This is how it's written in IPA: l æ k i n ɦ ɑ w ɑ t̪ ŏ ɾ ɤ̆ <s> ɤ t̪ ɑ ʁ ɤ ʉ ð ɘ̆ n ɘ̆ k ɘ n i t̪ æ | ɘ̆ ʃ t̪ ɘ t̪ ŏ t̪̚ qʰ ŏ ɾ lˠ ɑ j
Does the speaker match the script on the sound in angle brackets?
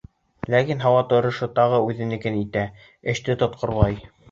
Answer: no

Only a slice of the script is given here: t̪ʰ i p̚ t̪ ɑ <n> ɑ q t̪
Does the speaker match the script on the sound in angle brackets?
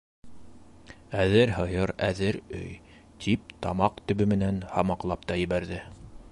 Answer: no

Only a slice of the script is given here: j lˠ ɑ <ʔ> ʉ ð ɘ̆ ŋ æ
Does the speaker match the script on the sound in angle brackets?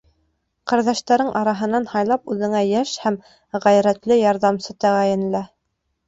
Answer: no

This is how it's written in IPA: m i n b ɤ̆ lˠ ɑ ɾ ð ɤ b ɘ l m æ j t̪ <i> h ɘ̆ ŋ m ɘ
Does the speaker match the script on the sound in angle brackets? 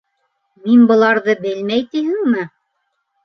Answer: yes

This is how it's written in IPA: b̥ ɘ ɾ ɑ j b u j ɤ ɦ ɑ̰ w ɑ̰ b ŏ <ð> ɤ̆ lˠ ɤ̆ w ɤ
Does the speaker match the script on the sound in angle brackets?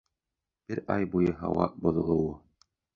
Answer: yes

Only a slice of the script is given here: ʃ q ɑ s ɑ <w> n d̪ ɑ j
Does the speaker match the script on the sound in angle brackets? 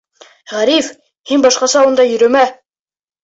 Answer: no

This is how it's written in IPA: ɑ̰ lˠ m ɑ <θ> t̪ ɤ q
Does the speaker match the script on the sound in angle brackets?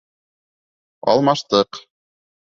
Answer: no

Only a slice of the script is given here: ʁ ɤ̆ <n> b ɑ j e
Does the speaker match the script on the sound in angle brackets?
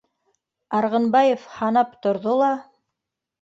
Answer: yes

